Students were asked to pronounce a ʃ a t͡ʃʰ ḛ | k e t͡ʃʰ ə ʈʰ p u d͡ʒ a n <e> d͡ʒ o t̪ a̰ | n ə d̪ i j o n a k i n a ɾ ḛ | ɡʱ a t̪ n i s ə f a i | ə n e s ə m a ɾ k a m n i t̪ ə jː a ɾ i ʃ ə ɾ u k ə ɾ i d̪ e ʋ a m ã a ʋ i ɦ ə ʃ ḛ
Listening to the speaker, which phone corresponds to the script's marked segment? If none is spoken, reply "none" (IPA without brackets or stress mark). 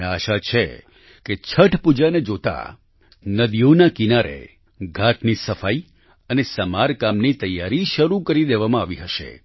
e